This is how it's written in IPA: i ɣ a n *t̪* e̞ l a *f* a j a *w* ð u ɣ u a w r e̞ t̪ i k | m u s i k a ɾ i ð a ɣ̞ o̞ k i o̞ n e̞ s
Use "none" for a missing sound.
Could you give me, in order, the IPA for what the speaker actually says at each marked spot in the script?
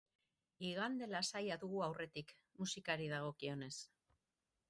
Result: d̪, s, none

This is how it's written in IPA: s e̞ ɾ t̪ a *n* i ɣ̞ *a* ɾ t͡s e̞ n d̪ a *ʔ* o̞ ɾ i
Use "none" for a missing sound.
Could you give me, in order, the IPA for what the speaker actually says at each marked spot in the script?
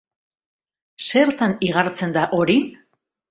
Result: n, a, ʔ

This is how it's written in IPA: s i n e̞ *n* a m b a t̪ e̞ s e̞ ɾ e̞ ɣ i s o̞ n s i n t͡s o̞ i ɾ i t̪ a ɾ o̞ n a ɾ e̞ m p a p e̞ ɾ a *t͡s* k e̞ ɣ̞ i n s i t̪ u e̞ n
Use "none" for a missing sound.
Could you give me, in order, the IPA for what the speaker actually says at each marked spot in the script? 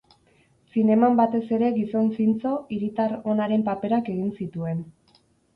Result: m, none

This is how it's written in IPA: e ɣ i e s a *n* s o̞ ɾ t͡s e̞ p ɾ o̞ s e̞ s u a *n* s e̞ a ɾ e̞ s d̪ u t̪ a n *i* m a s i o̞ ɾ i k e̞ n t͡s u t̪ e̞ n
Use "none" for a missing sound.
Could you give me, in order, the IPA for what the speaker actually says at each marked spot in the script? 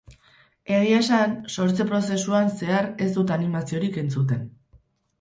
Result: n, n, i

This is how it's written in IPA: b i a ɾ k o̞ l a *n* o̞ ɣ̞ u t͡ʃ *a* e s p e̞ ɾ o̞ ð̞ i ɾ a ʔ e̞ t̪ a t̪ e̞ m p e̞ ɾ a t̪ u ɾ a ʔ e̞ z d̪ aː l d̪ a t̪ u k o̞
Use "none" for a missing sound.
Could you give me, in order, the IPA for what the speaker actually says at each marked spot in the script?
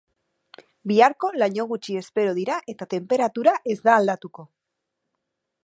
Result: ɲ, i

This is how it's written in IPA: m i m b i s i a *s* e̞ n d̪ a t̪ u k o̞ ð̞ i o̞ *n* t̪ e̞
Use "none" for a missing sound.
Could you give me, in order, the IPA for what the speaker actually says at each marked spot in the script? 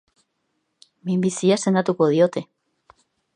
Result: s, none

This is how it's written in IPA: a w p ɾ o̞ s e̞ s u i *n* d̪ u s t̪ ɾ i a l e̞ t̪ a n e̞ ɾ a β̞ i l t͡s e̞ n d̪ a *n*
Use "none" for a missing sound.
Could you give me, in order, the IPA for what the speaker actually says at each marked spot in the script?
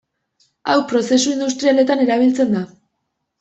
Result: n, none

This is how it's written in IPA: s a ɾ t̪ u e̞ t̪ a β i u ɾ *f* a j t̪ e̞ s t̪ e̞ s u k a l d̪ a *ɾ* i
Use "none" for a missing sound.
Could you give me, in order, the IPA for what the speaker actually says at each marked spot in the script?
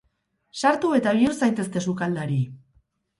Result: s, ɾ

